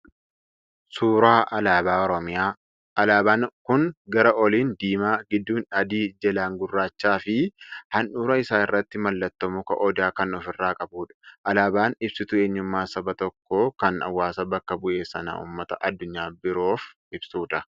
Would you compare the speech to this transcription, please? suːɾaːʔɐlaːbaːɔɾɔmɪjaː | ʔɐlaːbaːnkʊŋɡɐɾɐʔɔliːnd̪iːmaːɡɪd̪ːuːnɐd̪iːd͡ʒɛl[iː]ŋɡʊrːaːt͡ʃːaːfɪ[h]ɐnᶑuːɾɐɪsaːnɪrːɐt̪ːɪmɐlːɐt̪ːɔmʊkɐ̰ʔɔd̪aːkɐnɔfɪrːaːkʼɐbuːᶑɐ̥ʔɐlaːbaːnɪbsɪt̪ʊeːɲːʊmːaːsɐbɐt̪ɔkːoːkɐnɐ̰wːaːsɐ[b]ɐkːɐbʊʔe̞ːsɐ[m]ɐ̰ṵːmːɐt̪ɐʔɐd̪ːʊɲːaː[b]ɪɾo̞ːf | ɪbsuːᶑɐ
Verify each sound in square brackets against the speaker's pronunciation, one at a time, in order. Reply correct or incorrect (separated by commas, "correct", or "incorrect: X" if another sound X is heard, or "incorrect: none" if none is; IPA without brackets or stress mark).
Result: incorrect: aː, correct, correct, incorrect: n, correct